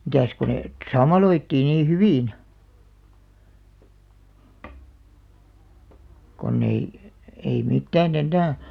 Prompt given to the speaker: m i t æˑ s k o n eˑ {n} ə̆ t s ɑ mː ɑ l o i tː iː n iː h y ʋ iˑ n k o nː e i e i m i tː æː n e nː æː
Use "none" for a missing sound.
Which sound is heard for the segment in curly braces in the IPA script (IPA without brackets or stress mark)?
none